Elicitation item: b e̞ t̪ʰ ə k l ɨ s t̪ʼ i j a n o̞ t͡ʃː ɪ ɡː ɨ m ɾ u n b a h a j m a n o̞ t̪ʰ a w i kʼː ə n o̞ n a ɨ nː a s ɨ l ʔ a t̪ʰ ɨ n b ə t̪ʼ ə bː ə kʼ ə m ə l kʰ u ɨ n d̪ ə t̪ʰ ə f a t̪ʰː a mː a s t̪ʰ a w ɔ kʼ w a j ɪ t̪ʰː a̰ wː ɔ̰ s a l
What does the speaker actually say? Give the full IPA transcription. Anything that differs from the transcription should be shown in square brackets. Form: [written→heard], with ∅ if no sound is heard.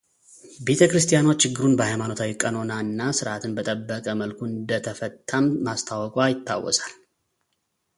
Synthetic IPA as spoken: b e̞ t̪ʰ ə k [l→ɾ] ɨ s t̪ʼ i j a n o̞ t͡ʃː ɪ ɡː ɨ [m→∅] ɾ u n b [a→ə] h a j m a n o̞ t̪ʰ a w i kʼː ə n o̞ n a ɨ nː a s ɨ [l→ɾ] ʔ a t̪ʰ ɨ n b ə t̪ʼ ə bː ə kʼ ə m ə l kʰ u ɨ n d̪ ə t̪ʰ ə f [a→ə] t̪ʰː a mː a s t̪ʰ a w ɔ kʼ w a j ɪ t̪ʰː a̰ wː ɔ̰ s a l